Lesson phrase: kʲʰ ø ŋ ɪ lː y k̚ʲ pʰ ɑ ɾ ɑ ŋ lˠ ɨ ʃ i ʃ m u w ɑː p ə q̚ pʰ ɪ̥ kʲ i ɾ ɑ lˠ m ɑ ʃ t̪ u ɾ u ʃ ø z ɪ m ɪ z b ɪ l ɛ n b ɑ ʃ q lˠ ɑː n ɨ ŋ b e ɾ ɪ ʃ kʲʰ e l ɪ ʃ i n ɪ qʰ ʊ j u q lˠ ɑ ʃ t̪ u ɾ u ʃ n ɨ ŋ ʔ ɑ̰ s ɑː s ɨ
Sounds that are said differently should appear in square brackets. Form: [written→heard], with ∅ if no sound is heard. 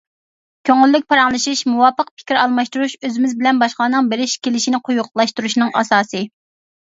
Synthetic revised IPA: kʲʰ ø ŋ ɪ lː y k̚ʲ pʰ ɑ ɾ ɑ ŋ lˠ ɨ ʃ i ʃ m u w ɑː p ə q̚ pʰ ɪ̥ kʲ i ɾ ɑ lˠ m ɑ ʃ t̪ u ɾ u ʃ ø z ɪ m ɪ z b ɪ l ɛ n b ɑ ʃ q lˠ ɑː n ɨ ŋ b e ɾ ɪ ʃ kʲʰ e l ɪ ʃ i n ɪ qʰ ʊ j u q lˠ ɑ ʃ t̪ u ɾ u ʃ n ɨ ŋ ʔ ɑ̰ s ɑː s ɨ